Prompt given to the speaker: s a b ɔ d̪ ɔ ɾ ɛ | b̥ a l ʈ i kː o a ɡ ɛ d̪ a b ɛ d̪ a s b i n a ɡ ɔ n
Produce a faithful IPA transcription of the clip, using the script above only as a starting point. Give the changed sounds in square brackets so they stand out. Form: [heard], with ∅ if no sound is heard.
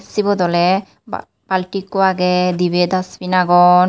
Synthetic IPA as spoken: s [i] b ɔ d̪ ɔ [l] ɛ | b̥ a l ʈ i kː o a ɡ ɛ d̪ [i] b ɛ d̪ a s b i n a ɡ ɔ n